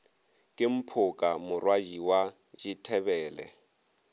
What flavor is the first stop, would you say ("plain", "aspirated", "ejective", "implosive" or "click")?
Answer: ejective